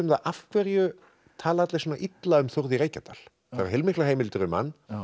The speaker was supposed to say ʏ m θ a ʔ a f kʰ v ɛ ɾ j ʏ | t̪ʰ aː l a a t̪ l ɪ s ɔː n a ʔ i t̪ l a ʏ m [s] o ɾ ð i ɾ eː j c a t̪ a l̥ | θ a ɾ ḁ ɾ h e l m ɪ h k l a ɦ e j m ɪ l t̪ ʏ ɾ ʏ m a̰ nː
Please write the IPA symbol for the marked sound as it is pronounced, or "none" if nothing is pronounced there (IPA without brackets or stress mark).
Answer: θ